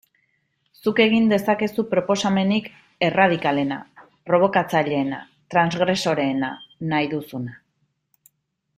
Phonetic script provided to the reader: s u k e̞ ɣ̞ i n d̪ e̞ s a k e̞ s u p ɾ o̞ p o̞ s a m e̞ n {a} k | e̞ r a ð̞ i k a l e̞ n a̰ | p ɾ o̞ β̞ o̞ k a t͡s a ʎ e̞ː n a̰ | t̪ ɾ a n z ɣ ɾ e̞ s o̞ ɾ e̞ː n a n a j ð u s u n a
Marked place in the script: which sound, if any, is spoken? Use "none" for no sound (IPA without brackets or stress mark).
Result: i